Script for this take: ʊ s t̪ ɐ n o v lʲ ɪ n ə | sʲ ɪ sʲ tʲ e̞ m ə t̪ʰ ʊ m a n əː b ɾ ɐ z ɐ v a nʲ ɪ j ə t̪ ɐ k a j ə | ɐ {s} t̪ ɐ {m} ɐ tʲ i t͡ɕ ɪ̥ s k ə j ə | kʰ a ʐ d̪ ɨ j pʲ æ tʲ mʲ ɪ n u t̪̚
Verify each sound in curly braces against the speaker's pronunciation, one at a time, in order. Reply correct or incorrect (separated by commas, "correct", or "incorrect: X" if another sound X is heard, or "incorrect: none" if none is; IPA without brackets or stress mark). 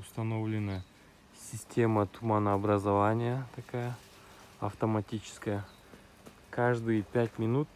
incorrect: f, correct